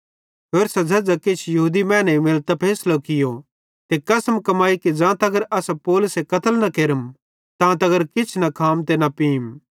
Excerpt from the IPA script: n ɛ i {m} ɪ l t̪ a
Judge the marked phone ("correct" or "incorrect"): correct